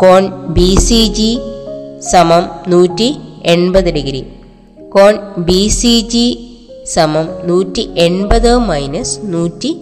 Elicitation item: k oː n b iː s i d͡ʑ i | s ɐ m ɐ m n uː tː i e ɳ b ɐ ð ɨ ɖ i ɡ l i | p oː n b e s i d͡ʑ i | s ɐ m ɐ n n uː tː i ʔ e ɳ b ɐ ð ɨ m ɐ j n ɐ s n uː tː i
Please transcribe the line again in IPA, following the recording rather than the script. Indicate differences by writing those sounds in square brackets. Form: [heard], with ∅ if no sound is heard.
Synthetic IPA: k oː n b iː s i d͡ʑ i | s ɐ m ɐ m n uː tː i e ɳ b ɐ ð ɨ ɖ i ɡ [ɾ] i | [k] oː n b [i] s i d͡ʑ i | s ɐ m ɐ [m] n uː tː i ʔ e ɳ b ɐ ð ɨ m ɐ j n ɐ s n uː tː i